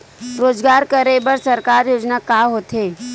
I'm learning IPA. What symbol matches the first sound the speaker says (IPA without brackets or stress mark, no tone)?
ɾ